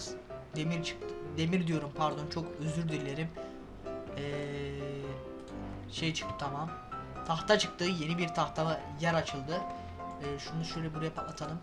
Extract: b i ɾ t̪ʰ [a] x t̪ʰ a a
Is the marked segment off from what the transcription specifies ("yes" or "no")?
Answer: no